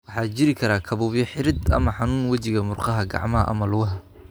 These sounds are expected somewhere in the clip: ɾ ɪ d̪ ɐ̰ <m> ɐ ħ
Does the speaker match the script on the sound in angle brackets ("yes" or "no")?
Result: yes